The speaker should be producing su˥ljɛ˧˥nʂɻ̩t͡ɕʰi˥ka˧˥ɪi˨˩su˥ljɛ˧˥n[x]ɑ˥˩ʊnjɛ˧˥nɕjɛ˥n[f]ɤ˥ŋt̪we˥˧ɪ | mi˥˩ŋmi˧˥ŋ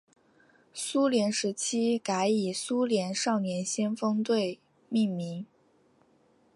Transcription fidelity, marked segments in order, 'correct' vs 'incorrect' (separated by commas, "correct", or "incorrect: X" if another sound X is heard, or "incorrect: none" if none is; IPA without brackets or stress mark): incorrect: ʂ, correct